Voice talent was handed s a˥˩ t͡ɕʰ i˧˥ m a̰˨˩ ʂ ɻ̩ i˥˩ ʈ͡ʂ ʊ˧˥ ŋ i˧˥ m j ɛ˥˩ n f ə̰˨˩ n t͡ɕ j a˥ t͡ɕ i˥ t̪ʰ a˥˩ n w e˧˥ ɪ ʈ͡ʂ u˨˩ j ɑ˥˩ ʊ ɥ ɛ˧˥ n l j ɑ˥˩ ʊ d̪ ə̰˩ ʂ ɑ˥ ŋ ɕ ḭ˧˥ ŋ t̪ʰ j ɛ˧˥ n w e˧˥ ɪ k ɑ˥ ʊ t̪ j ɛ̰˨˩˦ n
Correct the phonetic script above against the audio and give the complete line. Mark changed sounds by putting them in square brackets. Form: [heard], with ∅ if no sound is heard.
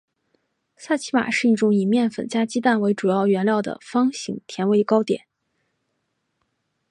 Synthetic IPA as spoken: s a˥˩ t͡ɕʰ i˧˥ m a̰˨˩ ʂ ɻ̩ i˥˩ ʈ͡ʂ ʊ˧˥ ŋ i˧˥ m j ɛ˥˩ n f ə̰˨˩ n t͡ɕ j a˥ t͡ɕ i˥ [t̪] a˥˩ n w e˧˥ ɪ ʈ͡ʂ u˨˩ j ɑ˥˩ ʊ ɥ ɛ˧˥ n l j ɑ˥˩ ʊ d̪ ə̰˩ [f] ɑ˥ ŋ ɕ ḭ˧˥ ŋ t̪ʰ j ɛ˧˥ n w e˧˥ ɪ k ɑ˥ ʊ t̪ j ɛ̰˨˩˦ n